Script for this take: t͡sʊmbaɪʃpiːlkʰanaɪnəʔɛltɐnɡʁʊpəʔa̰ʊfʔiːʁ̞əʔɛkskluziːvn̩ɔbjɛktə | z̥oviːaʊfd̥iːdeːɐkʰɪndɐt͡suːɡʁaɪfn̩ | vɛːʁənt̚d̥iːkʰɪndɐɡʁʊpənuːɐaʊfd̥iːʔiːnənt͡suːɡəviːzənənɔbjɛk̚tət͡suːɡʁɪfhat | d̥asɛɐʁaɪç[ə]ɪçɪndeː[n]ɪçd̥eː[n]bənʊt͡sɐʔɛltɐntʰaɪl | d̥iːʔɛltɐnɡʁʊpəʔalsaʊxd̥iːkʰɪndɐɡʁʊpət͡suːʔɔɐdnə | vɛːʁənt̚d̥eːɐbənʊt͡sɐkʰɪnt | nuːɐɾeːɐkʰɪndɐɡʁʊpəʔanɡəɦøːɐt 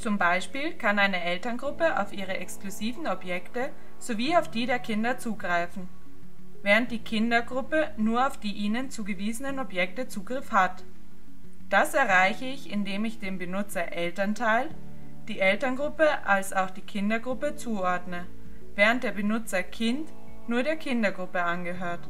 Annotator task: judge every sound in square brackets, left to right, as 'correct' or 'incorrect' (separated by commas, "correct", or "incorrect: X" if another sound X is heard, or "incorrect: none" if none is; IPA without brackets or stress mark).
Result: correct, incorrect: m, incorrect: m